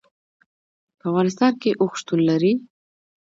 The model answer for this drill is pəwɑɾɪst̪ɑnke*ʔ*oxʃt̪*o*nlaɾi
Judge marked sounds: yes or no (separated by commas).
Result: yes, no